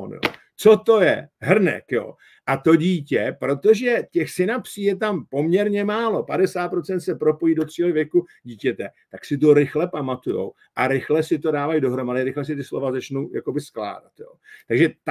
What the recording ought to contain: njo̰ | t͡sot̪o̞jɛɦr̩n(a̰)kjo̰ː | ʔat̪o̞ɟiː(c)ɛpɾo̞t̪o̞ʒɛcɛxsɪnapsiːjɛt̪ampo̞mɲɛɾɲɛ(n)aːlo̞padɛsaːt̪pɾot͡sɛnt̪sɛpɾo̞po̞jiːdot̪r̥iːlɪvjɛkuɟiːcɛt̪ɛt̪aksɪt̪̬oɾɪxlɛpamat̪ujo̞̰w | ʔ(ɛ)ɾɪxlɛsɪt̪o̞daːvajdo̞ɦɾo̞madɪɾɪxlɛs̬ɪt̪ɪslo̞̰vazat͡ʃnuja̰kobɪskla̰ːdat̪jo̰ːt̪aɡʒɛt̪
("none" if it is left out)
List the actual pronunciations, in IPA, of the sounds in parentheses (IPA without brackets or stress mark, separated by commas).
ɛ̰, c, m, a